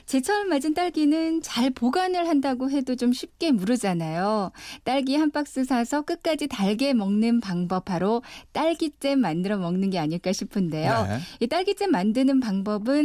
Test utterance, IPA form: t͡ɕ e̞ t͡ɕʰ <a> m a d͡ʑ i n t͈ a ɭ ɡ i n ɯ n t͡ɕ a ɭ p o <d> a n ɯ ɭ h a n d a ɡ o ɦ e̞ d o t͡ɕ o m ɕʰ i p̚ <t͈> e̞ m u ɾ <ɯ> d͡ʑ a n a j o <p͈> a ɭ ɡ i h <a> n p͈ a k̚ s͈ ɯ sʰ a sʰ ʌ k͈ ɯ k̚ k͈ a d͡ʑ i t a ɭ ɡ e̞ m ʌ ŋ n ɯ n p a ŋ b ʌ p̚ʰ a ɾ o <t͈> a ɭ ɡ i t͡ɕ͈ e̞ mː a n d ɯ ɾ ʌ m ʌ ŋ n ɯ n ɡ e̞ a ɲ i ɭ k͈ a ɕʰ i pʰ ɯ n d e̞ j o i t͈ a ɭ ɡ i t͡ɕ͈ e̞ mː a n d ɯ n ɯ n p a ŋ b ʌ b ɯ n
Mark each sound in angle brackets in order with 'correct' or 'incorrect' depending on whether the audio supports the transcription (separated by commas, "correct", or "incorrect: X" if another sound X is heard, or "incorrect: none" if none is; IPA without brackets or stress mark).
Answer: incorrect: ʌ, incorrect: ɡ, incorrect: k͈, correct, incorrect: t͈, correct, correct